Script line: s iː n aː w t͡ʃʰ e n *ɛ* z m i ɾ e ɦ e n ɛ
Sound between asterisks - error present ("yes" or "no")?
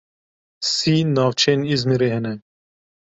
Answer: yes